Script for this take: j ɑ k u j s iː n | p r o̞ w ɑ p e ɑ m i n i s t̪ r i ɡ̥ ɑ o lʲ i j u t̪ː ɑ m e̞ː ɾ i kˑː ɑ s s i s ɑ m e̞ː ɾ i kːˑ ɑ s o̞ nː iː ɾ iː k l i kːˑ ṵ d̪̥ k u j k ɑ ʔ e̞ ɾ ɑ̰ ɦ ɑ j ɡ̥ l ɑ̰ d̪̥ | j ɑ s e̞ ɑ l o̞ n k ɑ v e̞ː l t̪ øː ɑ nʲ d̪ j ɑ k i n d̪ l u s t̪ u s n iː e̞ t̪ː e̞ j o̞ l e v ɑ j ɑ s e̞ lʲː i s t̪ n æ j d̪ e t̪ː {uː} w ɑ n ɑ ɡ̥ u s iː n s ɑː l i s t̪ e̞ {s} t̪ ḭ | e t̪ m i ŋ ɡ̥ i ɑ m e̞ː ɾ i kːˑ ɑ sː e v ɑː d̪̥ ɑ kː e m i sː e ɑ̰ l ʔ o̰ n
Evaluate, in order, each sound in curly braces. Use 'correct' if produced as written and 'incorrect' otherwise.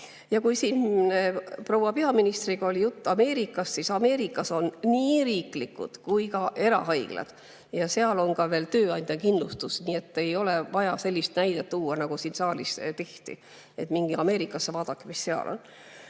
correct, incorrect: h

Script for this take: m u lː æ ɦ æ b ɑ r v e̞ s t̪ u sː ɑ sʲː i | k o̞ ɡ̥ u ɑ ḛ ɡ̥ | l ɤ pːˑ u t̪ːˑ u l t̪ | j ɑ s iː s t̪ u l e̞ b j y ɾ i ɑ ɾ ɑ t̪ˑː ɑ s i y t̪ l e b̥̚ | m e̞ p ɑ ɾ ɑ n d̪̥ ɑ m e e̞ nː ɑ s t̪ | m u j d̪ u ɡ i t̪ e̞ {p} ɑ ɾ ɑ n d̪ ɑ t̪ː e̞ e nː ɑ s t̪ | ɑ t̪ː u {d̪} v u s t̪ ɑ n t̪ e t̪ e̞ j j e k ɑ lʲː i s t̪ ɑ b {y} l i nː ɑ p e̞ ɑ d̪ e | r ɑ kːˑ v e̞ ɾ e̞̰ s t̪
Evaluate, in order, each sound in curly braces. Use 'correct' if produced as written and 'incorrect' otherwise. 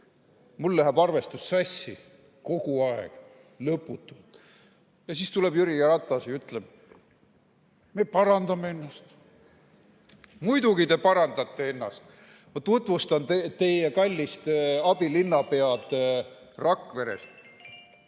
correct, incorrect: t̪, incorrect: i

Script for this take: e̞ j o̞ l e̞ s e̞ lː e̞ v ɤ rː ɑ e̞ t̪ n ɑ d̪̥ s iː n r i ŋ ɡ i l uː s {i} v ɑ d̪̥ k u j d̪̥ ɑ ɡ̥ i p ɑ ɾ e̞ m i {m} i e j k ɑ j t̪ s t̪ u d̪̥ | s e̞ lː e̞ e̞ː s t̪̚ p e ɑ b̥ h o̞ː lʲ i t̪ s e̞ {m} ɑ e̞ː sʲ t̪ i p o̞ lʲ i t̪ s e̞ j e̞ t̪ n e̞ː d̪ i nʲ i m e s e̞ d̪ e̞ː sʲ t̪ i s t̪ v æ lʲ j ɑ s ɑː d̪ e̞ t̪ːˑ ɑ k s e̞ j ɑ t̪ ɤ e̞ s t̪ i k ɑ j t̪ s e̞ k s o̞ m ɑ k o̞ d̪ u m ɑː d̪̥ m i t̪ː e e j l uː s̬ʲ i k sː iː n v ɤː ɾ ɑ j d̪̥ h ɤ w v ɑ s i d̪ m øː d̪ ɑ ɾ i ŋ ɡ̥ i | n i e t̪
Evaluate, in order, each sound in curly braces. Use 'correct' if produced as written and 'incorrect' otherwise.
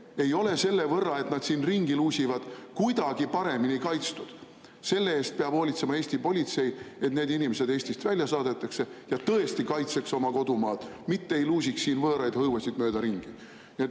correct, incorrect: n, correct

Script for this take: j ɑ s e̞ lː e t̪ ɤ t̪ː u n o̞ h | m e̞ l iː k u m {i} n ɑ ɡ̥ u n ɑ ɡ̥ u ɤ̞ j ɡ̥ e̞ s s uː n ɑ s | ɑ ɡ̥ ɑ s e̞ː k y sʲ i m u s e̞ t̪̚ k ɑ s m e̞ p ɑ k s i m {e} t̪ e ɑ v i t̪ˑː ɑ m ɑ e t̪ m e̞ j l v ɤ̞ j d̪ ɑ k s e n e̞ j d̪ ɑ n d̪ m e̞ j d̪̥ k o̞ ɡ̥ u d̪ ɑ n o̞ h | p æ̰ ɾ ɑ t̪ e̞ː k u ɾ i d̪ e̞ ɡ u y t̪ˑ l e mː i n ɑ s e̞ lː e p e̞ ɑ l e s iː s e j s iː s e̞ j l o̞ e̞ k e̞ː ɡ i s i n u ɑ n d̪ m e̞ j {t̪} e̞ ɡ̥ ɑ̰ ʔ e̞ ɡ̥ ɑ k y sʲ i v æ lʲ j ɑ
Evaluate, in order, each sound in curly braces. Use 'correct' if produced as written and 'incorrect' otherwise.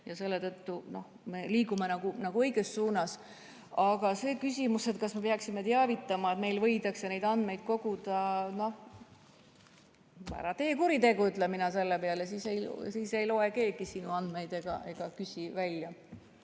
incorrect: e, correct, incorrect: d̪

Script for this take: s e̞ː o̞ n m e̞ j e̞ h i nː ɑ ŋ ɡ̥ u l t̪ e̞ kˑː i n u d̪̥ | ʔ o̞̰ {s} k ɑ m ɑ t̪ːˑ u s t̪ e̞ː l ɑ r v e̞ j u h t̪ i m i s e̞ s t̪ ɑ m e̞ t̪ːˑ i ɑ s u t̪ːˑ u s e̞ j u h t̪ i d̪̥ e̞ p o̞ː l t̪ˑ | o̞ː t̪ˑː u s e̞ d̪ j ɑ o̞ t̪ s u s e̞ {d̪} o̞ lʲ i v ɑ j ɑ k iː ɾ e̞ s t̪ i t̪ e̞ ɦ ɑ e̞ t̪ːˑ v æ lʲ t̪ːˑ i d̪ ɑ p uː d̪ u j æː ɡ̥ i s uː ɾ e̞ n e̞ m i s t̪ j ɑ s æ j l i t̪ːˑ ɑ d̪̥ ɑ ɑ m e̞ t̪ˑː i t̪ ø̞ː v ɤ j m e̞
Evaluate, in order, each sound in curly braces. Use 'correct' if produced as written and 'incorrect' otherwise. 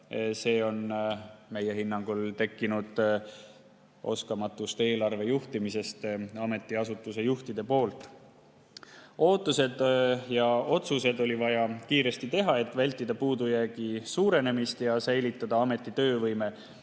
correct, correct

